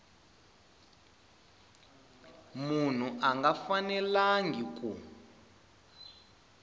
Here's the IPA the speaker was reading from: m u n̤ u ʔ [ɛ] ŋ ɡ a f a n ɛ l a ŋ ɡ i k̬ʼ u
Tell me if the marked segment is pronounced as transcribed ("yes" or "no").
no